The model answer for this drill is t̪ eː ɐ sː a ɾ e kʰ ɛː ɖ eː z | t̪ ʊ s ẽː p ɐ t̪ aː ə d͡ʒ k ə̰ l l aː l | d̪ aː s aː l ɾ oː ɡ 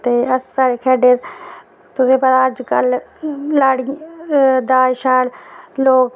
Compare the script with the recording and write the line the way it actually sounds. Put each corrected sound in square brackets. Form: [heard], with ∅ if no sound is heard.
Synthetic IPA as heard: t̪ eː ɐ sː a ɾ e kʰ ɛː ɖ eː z | t̪ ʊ s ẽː p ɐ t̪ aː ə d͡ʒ k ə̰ l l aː [ɽ] | d̪ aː [ʃ] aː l [l] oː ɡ